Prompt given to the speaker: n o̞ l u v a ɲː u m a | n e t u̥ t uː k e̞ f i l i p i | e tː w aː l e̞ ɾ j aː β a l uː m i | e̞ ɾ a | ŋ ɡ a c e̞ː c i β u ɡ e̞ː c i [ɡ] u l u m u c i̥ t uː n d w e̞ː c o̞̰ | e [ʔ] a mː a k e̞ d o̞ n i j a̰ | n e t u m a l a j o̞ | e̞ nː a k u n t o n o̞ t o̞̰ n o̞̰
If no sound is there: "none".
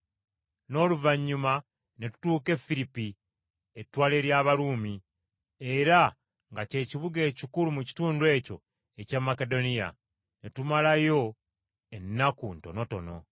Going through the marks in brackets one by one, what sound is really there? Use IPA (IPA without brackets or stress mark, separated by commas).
k, c